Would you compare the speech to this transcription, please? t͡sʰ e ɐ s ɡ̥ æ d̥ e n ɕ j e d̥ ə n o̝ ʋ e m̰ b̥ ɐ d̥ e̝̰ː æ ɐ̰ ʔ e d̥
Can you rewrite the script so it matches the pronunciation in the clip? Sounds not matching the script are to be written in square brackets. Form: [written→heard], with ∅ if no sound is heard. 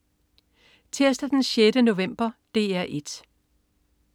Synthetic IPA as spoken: t͡sʰ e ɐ s [ɡ̥→d̥] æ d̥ e n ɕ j e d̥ ə n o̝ ʋ e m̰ b̥ ɐ d̥ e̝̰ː æ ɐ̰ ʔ e d̥